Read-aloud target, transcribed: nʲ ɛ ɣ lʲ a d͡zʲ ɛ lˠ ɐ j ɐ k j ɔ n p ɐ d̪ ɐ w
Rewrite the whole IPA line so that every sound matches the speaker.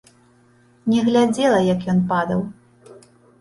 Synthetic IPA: nʲ ɛ ɣ lʲ a d͡zʲ ɛ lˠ ɐ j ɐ k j ɔ n p a d̪ ɐ w